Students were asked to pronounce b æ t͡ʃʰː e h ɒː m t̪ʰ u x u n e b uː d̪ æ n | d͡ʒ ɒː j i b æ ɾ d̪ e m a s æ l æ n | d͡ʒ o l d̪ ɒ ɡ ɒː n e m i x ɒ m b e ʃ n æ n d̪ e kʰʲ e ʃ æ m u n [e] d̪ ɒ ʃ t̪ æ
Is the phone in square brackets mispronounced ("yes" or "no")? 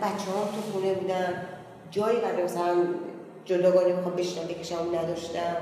yes